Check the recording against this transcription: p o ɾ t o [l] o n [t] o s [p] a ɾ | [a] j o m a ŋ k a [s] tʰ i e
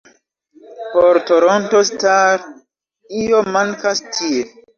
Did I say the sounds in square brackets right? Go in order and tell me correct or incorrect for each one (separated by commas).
incorrect, correct, incorrect, incorrect, correct